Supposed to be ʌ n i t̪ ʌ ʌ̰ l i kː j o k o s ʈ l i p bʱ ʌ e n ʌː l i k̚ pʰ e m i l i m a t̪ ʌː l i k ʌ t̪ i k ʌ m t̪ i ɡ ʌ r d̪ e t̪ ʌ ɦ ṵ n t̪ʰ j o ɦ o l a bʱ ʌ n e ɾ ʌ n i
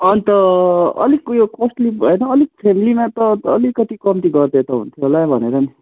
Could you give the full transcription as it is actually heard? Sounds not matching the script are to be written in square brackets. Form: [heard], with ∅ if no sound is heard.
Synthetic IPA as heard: ʌ n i t̪ ʌ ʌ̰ l i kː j o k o s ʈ l i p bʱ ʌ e n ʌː l i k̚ pʰ e m i l i m a t̪ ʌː l i k ʌ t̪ i k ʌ m t̪ i ɡ ʌ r d̪ e t̪ ʌ ɦ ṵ n t̪ʰ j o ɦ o l a bʱ ʌ n e ɾ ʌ n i

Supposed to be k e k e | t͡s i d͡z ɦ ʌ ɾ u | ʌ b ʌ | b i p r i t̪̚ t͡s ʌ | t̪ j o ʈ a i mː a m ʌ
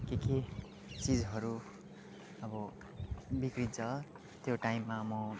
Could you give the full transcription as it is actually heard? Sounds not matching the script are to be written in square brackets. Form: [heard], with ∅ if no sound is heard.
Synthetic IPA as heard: k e k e | t͡s i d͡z ɦ ʌ ɾ u | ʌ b ʌ | b i [k] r i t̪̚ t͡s ʌ | t̪ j o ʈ a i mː a m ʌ

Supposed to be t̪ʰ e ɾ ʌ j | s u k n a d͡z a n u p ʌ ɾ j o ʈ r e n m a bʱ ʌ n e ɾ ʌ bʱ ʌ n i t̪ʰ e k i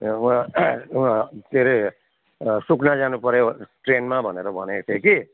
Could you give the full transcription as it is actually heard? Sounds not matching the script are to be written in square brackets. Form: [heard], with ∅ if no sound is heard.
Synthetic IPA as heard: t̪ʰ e ɾ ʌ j | s u k n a d͡z a n u p ʌ ɾ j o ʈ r e n m a bʱ ʌ n e ɾ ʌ bʱ ʌ n [e] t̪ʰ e k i

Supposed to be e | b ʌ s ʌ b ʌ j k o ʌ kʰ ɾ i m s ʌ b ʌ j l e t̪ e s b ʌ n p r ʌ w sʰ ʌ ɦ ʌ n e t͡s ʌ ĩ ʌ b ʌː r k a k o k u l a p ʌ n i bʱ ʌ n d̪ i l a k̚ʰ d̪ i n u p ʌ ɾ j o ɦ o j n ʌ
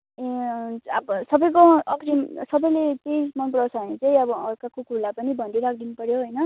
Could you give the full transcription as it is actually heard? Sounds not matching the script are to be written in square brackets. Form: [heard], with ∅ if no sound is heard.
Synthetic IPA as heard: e | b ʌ s ʌ b ʌ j k o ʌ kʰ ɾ i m s ʌ b ʌ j l e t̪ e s [m] ʌ n p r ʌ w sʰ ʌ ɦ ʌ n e t͡s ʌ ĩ ʌ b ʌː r k a k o k u l a p ʌ n i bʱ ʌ n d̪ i [ɾ] a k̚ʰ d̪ i n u p ʌ ɾ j o ɦ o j n ʌ

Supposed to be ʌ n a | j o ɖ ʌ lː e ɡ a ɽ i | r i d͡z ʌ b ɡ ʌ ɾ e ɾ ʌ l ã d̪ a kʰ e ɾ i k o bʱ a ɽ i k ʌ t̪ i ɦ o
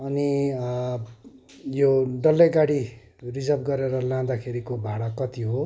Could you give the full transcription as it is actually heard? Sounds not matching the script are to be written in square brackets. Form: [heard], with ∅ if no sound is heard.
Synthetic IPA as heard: ʌ n [i] | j o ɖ ʌ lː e ɡ a ɽ i | r i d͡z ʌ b ɡ ʌ ɾ e ɾ ʌ l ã d̪ a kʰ e ɾ i k o bʱ a ɽ [a] k ʌ t̪ i ɦ o

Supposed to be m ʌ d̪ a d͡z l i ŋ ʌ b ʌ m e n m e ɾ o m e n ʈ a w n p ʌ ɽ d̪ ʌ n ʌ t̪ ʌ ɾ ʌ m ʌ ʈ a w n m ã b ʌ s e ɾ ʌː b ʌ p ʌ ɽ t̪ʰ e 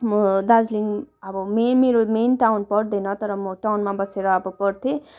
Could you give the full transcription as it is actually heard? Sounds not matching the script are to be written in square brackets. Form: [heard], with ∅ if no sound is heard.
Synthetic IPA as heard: m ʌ d̪ a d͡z l i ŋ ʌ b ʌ m e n m e ɾ o m e n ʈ a w n p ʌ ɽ d̪ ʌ n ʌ t̪ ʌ ɾ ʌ m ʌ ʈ a w n m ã b ʌ s e ɾ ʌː b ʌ p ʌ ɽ t̪ʰ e

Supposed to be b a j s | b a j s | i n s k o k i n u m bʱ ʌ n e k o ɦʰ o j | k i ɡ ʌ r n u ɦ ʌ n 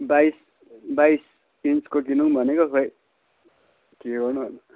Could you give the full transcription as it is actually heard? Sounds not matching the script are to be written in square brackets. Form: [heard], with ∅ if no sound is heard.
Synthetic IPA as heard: b a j s | b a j s | i n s k o k i n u [ŋ] bʱ ʌ n e k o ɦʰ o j | k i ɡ ʌ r n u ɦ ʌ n

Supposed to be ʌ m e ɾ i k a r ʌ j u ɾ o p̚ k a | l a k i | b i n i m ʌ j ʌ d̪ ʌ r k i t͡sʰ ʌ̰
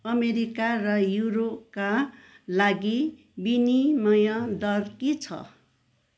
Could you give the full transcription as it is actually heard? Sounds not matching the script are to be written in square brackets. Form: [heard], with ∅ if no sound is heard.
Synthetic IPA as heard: ʌ m e ɾ i k a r ʌ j u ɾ o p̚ k a | l a [ɡ] i | b i n i m ʌ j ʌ d̪ ʌ r k i t͡sʰ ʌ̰

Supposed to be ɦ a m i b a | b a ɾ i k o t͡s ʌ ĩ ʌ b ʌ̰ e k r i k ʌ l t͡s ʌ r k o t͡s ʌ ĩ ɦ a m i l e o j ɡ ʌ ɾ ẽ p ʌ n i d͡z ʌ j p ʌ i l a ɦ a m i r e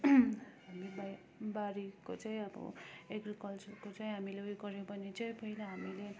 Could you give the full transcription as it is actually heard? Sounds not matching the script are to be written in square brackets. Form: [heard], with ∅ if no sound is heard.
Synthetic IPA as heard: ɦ a m i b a | b a ɾ i k o t͡s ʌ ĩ ʌ b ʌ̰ e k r i k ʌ l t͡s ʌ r k o t͡s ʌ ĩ ɦ a m i l e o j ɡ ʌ ɾ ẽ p ʌ n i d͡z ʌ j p ʌ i l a ɦ a m i [l] e

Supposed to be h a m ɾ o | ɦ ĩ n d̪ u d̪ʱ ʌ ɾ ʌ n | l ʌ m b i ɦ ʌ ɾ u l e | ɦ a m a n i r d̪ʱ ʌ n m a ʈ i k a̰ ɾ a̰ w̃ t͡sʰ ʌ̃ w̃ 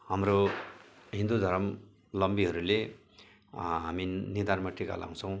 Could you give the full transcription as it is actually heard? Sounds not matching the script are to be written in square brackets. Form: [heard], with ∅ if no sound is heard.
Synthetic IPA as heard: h a m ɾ o | ɦ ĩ n d̪ u d̪ʱ ʌ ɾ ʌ [m] | l ʌ m b i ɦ ʌ ɾ u l e | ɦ a m [i] n i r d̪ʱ [a] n m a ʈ i k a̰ [l] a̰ w̃ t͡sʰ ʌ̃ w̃

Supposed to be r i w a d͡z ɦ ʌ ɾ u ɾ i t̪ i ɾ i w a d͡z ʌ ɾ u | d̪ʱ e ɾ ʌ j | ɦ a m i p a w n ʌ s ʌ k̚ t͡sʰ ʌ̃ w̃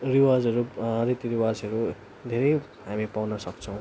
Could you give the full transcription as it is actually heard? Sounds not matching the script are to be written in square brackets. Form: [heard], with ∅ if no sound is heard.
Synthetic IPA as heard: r i w a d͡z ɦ ʌ ɾ u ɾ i t̪ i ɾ i w a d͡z ʌ ɾ u | d̪ʱ e ɾ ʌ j | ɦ a m i p a w n ʌ s ʌ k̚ t͡sʰ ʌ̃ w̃

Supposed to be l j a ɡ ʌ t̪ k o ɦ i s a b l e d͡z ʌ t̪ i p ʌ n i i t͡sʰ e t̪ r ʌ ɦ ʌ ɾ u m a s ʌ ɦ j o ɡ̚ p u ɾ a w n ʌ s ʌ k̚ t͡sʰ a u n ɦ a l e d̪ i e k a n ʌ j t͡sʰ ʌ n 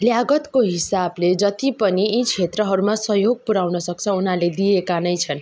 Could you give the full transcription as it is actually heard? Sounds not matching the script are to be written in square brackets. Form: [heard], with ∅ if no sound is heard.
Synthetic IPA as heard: l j a ɡ ʌ t̪ k o ɦ i s a b l e d͡z ʌ t̪ i p ʌ n i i t͡sʰ e t̪ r ʌ ɦ ʌ ɾ u m a s ʌ ɦ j o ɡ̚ p u ɾ a w n ʌ s ʌ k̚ t͡sʰ [ʌ] u n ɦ a l e d̪ i e k a n ʌ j t͡sʰ ʌ n

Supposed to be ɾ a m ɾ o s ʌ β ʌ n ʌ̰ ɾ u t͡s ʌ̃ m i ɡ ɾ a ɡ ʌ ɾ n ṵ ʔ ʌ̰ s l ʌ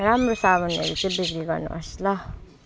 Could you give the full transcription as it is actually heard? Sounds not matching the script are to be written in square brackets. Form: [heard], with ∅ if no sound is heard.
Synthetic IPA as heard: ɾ a m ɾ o s [a] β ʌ n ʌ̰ ɾ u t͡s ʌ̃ [b] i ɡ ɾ [i] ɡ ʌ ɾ n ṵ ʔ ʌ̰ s l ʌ

